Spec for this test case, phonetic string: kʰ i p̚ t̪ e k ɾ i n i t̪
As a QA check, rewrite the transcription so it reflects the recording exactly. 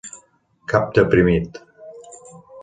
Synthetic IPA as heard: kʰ a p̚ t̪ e p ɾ i m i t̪